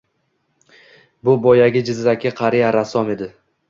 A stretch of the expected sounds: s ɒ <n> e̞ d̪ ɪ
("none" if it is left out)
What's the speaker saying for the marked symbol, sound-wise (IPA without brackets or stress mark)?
m